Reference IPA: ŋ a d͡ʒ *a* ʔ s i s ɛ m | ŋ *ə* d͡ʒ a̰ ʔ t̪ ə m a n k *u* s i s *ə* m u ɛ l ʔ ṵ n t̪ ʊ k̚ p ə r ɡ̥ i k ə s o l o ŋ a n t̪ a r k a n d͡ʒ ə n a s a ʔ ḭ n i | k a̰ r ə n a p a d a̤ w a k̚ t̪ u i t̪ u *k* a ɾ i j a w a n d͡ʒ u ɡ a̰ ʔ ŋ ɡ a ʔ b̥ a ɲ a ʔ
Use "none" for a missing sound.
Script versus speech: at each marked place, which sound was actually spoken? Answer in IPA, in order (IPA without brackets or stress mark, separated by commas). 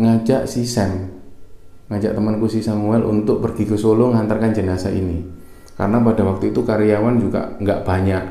a, a, u, a, k